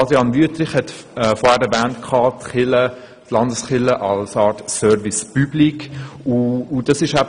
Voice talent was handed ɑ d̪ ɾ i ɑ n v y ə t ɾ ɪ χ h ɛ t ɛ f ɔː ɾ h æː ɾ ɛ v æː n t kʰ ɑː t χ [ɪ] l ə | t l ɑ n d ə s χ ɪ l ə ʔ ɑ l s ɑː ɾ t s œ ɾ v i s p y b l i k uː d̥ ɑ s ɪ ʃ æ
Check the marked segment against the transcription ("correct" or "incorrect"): correct